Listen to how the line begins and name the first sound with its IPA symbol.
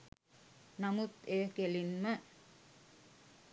n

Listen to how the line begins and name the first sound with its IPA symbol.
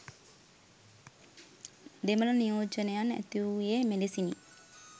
d̪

